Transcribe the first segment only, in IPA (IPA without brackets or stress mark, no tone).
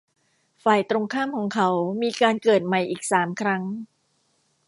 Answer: f